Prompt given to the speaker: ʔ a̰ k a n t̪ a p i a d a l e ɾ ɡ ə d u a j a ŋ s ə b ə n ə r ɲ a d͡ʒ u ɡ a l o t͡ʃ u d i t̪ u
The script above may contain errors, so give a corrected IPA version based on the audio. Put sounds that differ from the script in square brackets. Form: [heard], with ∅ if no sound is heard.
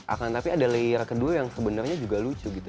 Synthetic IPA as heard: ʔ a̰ k a n t̪ a p i a d a l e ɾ [k] ə d u a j a ŋ s ə b ə n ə r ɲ a d͡ʒ u ɡ a l [u] t͡ʃ u [ɡ] i t̪ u